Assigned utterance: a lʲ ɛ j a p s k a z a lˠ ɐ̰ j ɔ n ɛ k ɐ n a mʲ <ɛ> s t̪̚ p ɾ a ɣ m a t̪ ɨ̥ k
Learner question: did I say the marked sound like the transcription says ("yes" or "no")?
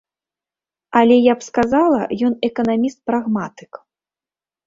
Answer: no